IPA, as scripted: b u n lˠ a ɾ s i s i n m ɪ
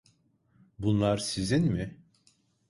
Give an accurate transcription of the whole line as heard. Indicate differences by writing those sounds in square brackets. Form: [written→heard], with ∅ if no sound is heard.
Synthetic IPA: b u n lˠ a ɾ s i [s→z] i n m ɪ